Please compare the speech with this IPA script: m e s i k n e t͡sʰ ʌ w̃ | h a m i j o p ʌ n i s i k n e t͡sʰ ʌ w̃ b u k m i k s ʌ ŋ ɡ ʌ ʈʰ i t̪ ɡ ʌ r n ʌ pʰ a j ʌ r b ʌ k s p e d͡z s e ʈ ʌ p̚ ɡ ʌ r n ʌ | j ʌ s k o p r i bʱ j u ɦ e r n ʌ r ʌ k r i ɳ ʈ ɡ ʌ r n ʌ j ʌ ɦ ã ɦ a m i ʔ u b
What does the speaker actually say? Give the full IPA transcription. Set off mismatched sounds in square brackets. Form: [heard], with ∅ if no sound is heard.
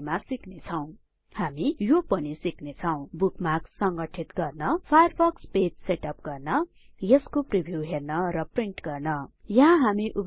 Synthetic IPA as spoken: m [a] s i k n e t͡sʰ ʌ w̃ | h a m i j o p ʌ n i s i k n e t͡sʰ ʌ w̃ b u k m [a] k s ʌ ŋ ɡ ʌ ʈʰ i t̪ ɡ ʌ r n ʌ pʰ a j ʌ r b ʌ k s p e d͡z s e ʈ ʌ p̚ ɡ ʌ r n ʌ | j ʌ s k o p r i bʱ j u ɦ e r n ʌ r ʌ [p] r i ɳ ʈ ɡ ʌ r n ʌ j ʌ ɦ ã ɦ a m i ʔ u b